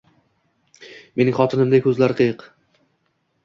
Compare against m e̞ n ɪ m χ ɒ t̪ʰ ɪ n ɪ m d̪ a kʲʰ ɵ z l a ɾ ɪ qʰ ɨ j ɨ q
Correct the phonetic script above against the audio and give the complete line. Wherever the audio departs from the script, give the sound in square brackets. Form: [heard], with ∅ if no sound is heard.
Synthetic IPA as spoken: m e̞ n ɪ [ŋ] χ ɒ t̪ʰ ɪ n ɪ m d̪ a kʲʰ ɵ z l a ɾ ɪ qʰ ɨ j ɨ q